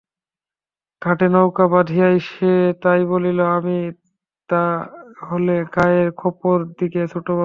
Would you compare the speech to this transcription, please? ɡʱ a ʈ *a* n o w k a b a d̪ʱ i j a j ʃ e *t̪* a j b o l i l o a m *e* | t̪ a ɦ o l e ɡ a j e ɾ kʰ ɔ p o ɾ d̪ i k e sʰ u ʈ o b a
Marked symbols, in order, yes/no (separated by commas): no, yes, no